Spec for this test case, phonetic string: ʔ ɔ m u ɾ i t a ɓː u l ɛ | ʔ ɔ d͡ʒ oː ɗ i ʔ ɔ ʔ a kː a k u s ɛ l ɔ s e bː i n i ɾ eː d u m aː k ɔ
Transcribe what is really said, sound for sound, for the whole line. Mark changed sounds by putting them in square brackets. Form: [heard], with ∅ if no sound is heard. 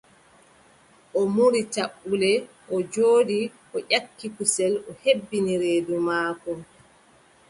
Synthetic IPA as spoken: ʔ ɔ m u ɾ i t a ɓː u l ɛ | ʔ ɔ d͡ʒ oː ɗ i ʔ ɔ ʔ a kː [i] k u s ɛ l ɔ [h] e bː i n i ɾ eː d u m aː k ɔ

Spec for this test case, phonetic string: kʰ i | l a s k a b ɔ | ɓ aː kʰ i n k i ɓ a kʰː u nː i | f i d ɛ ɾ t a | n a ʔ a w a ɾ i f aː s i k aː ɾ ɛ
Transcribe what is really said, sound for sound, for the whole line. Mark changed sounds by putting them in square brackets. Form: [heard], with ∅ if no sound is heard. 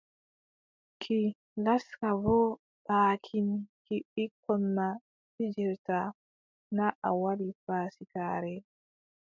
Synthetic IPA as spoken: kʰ i | l a s k a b ɔ | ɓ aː kʰ i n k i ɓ [i] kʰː [ɔ] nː [a] | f i [d͡ʒ] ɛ ɾ t a | n a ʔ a w a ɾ i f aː s i k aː ɾ ɛ

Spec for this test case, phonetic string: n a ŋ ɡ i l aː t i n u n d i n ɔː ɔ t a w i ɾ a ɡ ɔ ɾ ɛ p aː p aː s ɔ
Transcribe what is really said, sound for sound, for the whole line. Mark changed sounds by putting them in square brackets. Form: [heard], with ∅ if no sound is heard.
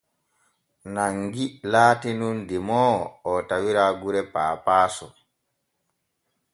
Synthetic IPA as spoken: n a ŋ ɡ i l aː t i n u n d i [m] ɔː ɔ t a w i ɾ a ɡ [u] ɾ ɛ p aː p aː s ɔ

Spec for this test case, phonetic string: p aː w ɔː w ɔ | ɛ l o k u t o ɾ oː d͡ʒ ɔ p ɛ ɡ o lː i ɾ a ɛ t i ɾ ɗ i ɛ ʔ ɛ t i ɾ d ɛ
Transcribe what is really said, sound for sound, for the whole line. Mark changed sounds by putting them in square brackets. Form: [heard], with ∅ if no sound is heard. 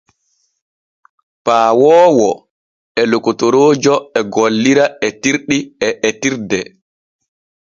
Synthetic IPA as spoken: p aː w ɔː w ɔ | ɛ l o k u t o ɾ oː d͡ʒ ɔ [∅] ɛ ɡ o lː i ɾ a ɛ t i ɾ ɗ i ɛ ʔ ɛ t i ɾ d ɛ

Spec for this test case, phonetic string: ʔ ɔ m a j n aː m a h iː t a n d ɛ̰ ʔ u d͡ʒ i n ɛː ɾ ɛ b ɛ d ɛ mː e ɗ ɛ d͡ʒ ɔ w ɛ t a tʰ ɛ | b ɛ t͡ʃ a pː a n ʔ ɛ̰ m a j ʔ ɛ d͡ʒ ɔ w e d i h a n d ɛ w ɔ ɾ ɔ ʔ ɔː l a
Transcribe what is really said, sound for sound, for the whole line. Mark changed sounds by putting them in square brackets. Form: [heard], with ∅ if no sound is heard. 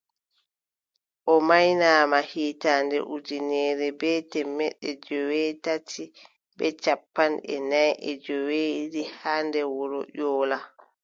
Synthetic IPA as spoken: ʔ ɔ m a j n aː m a h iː t a n d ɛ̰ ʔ u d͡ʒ i n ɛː ɾ ɛ b ɛ [t] ɛ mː [ɛ] ɗ ɛ d͡ʒ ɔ w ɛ t a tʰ [i] | b ɛ t͡ʃ a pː a n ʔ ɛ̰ [n] a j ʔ ɛ d͡ʒ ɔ w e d i h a n d ɛ w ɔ ɾ ɔ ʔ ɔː l a

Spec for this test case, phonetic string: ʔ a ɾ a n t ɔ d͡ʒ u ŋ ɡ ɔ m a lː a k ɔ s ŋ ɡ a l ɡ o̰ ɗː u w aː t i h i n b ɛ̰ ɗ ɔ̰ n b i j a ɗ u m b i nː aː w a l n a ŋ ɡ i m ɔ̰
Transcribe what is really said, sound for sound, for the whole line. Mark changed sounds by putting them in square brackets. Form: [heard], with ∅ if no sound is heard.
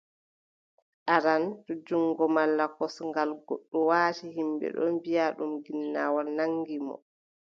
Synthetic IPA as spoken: ʔ a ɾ a n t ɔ d͡ʒ u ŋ ɡ ɔ m a lː a k ɔ s ŋ ɡ a l ɡ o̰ ɗː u w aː t i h i [m] b ɛ̰ ɗ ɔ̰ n b i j a ɗ u m [ɡ] i nː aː w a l n a ŋ ɡ i m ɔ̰

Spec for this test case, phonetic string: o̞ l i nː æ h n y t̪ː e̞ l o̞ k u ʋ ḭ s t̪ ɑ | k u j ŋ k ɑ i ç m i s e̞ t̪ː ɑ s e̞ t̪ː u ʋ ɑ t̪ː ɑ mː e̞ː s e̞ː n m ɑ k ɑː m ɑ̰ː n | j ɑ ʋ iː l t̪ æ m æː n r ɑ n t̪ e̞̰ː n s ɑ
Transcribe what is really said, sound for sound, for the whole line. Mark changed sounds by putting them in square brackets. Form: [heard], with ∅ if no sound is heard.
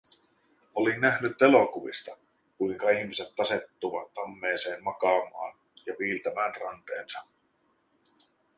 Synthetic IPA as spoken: o̞ l i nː æ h n y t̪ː e̞ l o̞ k u ʋ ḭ s t̪ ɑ | k u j ŋ k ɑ i ç m i s e̞ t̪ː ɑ s e̞ t̪ː u ʋ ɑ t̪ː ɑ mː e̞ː s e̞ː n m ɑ k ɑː m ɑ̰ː n | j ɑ ʋ iː l t̪ æ m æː n r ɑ n t̪ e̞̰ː n s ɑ

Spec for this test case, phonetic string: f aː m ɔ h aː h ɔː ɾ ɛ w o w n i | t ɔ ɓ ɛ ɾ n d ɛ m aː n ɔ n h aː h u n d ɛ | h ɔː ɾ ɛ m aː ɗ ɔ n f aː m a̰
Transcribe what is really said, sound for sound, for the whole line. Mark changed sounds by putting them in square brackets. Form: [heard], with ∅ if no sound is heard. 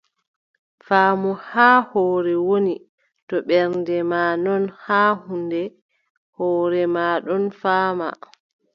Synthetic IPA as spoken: f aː m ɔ h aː h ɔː ɾ ɛ w o [∅] n i | t ɔ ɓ ɛ ɾ n d ɛ m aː n ɔ n h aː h u n d ɛ | h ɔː ɾ ɛ m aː ɗ ɔ n f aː m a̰

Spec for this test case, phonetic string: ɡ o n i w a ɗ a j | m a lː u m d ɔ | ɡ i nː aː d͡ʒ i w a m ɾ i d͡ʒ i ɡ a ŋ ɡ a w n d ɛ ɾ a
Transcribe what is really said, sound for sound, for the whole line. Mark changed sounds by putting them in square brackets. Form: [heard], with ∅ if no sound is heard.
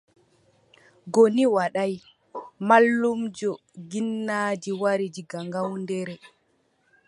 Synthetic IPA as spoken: ɡ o n i w a ɗ a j | m a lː u m [d͡ʒ] ɔ | ɡ i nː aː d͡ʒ i w a [∅] ɾ i d͡ʒ i ɡ a ŋ ɡ a w n d ɛ ɾ [ɛ]

